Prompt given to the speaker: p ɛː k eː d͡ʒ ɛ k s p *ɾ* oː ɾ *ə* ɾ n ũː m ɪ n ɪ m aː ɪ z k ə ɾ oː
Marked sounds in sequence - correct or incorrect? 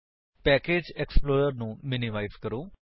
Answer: incorrect, correct

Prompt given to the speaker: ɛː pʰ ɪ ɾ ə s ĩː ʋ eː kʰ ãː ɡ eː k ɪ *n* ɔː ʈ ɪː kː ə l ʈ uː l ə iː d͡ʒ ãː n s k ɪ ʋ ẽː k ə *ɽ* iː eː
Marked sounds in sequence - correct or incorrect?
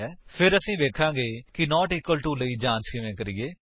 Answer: correct, incorrect

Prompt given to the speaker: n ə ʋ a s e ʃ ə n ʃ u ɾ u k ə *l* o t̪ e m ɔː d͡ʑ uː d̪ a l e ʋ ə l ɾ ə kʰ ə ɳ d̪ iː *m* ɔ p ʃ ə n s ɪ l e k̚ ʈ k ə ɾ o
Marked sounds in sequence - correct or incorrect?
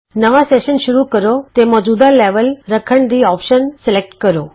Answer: incorrect, incorrect

